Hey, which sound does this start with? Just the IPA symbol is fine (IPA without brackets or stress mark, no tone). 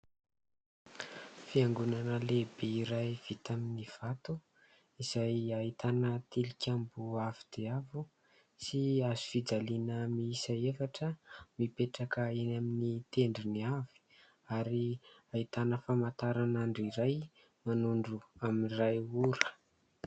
f